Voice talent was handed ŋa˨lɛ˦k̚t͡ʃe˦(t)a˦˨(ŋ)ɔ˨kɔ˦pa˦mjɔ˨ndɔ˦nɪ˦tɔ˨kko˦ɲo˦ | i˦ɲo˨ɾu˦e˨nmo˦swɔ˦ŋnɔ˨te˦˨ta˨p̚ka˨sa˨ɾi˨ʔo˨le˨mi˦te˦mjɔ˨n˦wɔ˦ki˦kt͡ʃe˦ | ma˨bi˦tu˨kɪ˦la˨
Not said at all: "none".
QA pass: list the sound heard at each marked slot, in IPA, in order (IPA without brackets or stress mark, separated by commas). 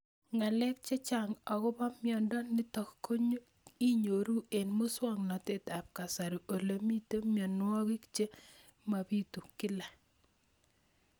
t͡ʃ, ŋ